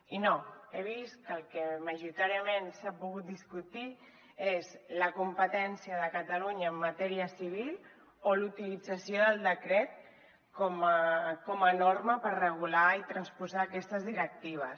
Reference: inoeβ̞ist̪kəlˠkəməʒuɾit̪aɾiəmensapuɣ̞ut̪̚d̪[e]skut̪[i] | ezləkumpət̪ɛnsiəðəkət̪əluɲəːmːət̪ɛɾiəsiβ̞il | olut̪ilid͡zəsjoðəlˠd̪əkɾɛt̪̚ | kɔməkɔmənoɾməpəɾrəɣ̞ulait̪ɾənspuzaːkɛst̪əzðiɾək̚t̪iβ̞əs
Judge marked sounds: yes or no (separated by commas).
no, yes